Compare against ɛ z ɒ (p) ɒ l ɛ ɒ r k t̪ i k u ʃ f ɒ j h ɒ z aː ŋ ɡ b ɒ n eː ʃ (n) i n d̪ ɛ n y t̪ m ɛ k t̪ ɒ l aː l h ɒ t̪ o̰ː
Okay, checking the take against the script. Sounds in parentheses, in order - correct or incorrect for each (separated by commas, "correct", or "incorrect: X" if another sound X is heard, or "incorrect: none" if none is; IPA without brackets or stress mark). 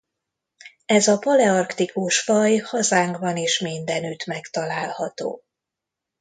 correct, incorrect: m